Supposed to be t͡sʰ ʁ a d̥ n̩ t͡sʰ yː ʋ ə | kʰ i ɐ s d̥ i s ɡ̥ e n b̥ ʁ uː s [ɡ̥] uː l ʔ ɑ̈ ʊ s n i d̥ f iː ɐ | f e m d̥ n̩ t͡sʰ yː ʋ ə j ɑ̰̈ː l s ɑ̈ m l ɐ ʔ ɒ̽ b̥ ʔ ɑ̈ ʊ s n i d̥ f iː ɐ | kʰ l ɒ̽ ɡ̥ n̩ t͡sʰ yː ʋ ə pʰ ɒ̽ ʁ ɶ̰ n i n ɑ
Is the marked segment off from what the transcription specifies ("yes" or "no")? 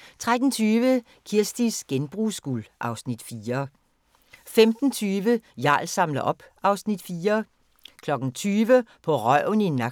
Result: no